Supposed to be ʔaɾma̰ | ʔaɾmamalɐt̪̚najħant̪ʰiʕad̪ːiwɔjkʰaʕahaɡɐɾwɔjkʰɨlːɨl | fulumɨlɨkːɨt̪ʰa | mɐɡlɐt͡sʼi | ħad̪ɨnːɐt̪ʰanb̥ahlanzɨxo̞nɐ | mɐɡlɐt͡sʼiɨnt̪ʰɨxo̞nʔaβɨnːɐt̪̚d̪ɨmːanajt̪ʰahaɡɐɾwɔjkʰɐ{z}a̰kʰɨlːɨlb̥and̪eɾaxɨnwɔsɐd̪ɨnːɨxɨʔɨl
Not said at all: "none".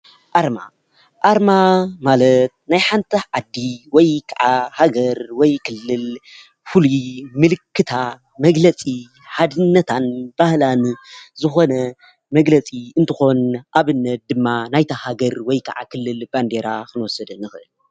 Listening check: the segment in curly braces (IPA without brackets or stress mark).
ʕ